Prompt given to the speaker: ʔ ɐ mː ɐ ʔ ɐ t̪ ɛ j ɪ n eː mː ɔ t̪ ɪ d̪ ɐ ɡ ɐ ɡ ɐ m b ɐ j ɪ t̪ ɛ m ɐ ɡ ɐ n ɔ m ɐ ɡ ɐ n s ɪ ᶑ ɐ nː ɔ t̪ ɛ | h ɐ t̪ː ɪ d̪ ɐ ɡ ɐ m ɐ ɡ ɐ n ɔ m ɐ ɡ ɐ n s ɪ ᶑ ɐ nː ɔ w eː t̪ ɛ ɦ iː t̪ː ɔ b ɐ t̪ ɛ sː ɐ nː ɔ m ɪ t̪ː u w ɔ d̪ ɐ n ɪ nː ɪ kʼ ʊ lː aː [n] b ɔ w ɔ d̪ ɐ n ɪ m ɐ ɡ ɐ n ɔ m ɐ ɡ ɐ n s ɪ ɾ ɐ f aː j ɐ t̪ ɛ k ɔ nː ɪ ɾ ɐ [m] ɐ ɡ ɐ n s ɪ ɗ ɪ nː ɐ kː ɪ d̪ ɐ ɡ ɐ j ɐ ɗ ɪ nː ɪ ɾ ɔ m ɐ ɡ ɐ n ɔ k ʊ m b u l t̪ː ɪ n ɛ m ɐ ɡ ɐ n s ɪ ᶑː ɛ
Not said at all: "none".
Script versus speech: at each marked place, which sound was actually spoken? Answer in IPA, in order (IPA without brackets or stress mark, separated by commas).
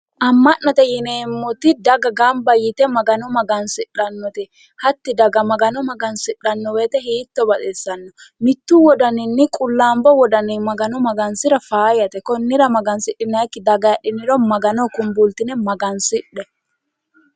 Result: m, m